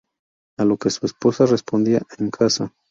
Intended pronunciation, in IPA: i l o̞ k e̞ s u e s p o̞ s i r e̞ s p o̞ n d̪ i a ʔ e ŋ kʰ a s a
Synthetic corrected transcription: a l o̞ k e̞ s u e s p o̞ s a r e̞ s p o̞ n d̪ i a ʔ e ŋ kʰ a s a